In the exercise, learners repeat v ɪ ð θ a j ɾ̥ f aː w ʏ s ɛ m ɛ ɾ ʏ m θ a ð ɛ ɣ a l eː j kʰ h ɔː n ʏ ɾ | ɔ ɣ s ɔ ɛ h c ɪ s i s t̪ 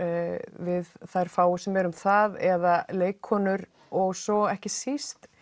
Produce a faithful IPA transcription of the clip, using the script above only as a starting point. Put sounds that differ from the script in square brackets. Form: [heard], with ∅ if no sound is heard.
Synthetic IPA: v ɪ ð θ a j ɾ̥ f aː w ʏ s ɛ m ɛ ɾ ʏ m θ a ð ɛ [ð] a l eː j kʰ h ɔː n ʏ ɾ | ɔ ɣ s ɔ ɛ h c ɪ s i s t̪